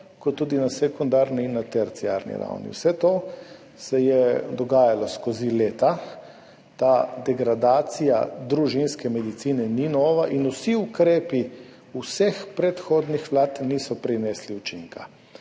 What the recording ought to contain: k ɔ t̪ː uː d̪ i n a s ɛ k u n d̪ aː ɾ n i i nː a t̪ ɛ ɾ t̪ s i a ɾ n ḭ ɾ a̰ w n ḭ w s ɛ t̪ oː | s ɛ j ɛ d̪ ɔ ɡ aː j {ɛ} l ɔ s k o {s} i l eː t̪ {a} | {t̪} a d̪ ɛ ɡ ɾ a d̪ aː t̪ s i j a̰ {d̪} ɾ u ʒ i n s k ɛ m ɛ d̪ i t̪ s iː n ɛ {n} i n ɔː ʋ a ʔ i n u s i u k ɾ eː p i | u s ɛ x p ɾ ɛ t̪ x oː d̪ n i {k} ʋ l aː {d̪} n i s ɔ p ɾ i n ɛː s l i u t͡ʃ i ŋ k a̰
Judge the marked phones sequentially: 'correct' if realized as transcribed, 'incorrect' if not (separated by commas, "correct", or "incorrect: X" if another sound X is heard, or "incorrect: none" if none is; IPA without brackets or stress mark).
incorrect: a, incorrect: z, correct, correct, correct, correct, incorrect: x, incorrect: t̪